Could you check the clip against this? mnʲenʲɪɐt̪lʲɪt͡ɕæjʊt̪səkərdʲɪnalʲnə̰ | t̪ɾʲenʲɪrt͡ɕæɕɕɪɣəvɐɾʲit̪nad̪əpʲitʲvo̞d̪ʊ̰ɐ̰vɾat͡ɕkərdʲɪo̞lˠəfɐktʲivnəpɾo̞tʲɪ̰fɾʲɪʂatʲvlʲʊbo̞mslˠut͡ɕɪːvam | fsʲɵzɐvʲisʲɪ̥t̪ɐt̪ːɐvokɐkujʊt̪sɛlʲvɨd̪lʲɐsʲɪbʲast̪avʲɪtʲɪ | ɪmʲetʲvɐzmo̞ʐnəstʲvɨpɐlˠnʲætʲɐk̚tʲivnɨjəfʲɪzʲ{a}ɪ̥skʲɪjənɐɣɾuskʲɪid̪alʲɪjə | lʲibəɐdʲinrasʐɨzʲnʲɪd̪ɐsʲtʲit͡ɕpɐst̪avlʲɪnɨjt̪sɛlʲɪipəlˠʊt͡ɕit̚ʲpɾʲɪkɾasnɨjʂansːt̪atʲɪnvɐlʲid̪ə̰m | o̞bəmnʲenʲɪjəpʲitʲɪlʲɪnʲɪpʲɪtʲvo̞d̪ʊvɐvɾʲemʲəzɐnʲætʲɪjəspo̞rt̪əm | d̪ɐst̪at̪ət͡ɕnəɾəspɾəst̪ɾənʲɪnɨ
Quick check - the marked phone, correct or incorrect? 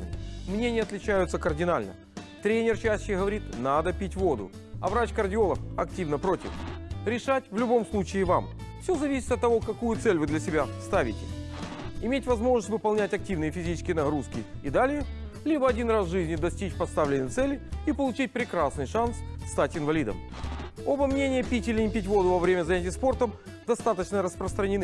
incorrect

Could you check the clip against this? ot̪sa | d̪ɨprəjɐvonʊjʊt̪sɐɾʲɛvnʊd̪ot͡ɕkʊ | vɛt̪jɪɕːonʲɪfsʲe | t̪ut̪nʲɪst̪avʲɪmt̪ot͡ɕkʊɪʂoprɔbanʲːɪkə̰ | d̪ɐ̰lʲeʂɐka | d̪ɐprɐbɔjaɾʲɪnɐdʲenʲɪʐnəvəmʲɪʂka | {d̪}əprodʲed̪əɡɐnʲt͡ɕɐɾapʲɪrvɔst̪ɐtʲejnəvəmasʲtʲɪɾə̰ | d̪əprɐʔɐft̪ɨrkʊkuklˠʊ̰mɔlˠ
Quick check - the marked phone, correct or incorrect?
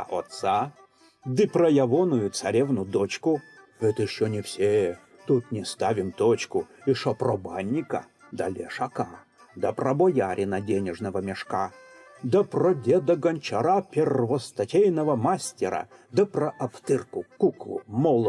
correct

